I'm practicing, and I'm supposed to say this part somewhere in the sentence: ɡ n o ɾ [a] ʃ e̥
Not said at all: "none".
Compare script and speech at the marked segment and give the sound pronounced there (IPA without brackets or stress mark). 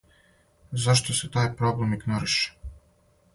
i